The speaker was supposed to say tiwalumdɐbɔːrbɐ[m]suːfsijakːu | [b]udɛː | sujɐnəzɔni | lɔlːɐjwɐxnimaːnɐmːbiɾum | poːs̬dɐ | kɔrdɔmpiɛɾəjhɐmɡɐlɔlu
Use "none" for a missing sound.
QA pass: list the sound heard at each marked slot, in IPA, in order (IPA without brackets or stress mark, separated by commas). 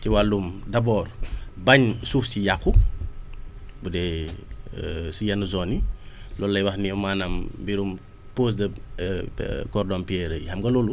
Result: ɲ, b